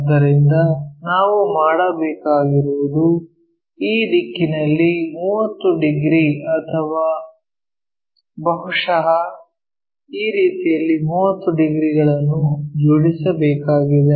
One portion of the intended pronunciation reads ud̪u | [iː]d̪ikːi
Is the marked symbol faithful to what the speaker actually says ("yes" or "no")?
yes